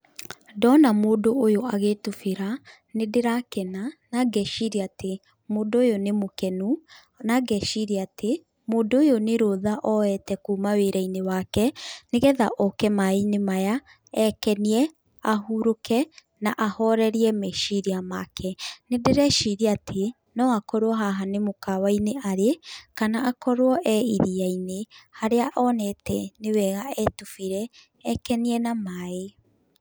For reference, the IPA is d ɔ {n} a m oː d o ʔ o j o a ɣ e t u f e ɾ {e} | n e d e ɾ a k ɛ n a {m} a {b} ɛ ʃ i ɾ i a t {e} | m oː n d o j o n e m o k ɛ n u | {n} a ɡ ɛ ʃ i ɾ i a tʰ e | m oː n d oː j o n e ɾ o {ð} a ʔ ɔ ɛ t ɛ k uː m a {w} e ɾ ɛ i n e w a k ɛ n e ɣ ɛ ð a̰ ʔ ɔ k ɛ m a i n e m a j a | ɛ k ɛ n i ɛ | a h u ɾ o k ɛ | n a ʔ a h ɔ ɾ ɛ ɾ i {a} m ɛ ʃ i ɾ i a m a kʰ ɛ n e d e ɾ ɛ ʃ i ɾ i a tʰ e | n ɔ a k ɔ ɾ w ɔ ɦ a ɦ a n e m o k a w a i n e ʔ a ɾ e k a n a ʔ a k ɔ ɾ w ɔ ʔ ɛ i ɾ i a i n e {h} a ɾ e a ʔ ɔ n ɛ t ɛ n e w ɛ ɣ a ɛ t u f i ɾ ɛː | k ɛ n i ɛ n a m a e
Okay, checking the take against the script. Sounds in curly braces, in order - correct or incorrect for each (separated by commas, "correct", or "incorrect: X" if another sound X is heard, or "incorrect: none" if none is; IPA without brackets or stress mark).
correct, incorrect: a, incorrect: n, incorrect: ɡ, correct, correct, correct, correct, incorrect: ɛ, correct